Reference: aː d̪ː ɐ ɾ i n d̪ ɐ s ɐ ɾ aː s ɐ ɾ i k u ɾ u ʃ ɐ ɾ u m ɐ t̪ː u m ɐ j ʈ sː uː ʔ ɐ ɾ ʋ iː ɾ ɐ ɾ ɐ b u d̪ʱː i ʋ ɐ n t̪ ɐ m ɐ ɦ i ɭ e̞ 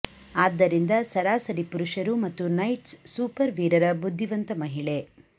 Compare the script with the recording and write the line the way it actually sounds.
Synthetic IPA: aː d̪ː ɐ ɾ i n d̪ ɐ s ɐ ɾ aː s ɐ ɾ i p u ɾ u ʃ ɐ ɾ u m ɐ t̪ː u n ɐ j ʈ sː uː p ɐ ɾ ʋ iː ɾ ɐ ɾ ɐ b u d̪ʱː i ʋ ɐ n t̪ ɐ m ɐ ɦ i ɭ e̞